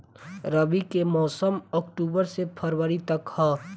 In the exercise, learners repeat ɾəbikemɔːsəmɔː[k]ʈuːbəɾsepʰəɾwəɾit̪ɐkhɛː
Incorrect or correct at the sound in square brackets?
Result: correct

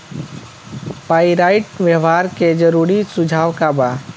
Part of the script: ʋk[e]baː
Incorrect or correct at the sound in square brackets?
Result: incorrect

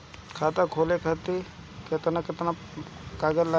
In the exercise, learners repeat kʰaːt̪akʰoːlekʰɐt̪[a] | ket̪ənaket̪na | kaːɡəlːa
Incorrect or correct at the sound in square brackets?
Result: incorrect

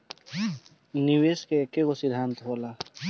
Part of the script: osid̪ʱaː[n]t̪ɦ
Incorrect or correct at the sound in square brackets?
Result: correct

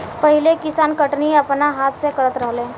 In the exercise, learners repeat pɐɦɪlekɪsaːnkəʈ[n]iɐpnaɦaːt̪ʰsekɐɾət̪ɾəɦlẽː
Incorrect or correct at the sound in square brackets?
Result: correct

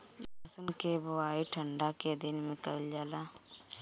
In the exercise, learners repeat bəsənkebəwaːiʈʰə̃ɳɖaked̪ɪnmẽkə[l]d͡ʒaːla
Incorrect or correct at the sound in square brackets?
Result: correct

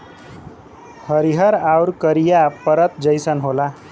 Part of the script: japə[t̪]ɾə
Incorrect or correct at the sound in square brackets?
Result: incorrect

